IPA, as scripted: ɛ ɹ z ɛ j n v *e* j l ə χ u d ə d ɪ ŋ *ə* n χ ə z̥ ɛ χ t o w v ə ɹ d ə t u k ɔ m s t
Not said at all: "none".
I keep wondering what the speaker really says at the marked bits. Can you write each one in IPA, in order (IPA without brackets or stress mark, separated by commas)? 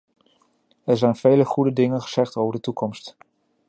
e, ə